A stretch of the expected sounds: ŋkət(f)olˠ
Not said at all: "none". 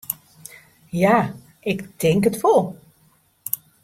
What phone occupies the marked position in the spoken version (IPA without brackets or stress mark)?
f